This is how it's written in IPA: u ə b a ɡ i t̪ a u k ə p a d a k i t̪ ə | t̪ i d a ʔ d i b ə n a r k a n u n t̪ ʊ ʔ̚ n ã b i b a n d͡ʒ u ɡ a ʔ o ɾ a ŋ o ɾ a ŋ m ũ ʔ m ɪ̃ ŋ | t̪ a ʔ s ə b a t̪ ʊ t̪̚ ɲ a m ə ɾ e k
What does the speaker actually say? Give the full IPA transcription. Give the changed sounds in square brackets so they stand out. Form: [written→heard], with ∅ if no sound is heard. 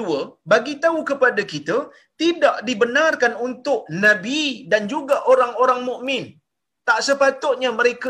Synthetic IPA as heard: u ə b a ɡ i t̪ a u k ə p a d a k i t̪ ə | t̪ i d a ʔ d i b ə n a r k a n u n t̪ ʊ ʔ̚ n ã b i [b→d] a n d͡ʒ u ɡ a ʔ o ɾ a ŋ o ɾ a ŋ m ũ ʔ m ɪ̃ [ŋ→n] | t̪ a ʔ s ə [b→p] a t̪ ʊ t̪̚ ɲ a m ə ɾ e k